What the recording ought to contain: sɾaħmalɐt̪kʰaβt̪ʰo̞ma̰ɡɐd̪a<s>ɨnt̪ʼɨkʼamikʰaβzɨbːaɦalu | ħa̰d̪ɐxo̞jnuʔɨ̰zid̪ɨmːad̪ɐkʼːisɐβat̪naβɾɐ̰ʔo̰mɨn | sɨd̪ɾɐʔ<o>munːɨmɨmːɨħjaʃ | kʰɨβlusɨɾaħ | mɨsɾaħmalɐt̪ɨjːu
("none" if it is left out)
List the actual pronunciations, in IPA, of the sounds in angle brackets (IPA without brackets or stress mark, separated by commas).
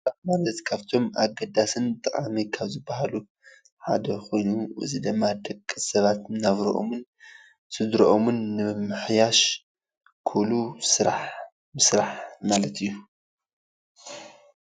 s, o